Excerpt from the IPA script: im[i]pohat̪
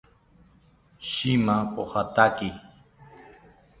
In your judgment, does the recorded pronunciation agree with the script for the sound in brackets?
no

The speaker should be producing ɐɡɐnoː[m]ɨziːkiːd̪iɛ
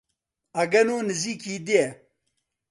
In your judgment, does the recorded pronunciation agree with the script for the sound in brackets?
no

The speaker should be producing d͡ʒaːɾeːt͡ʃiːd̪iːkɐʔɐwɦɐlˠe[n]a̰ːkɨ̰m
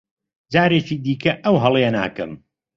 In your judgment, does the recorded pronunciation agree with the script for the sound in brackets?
yes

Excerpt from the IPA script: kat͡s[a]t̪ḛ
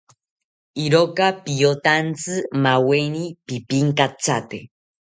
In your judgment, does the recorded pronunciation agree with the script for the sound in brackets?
yes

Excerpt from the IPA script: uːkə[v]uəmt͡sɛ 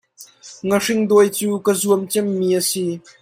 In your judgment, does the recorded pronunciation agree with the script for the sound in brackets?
no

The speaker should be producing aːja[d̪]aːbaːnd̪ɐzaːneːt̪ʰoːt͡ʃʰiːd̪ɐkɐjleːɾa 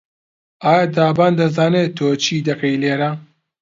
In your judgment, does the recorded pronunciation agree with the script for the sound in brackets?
yes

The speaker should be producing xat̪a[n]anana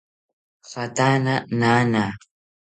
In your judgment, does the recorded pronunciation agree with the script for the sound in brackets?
yes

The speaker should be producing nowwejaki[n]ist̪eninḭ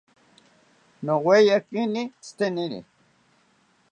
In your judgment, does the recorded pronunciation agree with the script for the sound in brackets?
yes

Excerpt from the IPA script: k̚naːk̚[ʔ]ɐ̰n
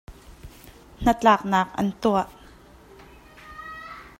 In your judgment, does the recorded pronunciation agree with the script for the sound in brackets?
yes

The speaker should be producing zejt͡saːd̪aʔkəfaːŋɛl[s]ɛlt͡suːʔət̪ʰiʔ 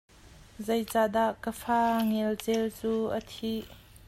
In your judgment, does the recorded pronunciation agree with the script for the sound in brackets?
no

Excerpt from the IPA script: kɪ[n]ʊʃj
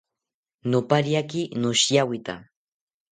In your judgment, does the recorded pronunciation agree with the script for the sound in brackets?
yes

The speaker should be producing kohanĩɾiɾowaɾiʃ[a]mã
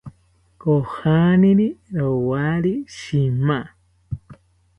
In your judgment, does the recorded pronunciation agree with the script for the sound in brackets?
no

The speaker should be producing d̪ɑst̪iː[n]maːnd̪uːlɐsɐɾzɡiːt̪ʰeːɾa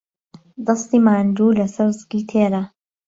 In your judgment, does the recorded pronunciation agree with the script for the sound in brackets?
no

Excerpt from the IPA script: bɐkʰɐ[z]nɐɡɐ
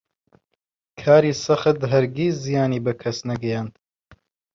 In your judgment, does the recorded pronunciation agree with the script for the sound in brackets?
no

